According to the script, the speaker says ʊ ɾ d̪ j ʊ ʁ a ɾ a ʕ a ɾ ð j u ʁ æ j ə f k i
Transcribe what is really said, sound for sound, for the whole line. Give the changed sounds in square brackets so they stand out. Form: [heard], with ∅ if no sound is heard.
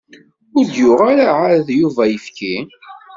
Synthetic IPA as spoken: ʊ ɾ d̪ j ʊ ʁ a ɾ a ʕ a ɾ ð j u [v] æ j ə f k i